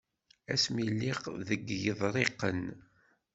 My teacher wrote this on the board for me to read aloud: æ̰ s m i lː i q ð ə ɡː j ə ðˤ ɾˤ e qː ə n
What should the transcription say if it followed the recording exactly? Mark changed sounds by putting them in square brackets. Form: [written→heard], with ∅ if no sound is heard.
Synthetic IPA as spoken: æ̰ s m i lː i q ð ə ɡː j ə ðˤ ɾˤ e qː ə n

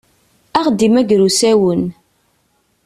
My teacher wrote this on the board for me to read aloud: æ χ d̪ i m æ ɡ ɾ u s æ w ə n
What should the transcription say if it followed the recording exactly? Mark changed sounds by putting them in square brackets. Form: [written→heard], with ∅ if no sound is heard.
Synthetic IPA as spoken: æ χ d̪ i m æ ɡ ɾ u s æ w ə n

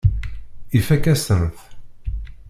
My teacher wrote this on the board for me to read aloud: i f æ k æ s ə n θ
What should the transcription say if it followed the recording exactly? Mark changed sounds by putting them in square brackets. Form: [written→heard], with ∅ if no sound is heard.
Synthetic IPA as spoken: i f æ k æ s ə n θ

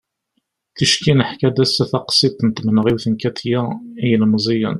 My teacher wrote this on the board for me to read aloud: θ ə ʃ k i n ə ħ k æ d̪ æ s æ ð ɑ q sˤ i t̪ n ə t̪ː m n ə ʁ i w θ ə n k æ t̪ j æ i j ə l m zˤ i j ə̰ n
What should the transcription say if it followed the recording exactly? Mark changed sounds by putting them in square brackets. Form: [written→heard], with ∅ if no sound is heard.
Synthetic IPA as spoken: θ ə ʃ k i n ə ħ k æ d̪ æ s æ [ð→θ] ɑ q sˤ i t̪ n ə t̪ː m n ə ʁ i w θ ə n k æ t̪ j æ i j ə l m zˤ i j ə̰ n

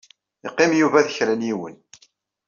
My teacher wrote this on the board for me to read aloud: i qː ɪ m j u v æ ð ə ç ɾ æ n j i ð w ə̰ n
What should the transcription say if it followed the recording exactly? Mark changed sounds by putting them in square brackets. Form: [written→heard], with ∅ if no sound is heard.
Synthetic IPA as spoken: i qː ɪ m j u v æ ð ə ç ɾ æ n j i [ð→∅] w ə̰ n

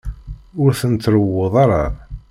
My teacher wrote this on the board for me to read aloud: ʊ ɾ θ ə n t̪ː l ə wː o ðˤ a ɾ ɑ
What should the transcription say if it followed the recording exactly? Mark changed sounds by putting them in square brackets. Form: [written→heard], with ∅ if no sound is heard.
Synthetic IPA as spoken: ʊ ɾ θ ə n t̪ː [l→ɾ] ə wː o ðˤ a ɾ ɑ

